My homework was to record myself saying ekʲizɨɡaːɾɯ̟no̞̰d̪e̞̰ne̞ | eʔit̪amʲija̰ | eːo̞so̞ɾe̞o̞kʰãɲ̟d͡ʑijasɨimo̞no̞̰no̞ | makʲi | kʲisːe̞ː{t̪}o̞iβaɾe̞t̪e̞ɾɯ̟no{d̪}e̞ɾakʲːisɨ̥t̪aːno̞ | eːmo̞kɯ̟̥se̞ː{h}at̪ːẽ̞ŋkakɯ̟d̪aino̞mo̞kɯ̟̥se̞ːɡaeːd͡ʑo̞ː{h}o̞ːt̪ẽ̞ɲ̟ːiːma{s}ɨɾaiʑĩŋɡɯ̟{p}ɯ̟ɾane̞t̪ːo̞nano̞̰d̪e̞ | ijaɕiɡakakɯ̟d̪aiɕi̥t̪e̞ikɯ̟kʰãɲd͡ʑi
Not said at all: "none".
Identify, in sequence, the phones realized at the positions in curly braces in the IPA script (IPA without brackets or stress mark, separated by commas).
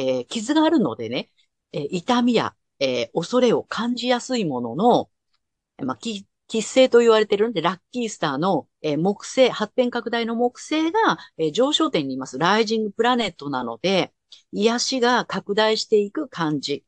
t̪, d̪, h, ɕ, s, p